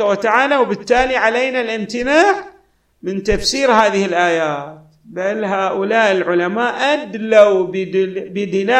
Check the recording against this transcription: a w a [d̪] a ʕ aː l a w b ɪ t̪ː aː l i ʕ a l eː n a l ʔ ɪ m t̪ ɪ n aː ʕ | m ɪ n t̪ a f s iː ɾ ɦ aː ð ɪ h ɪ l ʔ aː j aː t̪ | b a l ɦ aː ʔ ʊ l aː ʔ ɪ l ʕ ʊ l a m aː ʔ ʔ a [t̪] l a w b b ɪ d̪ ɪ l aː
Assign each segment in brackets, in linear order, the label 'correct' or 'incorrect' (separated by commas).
incorrect, incorrect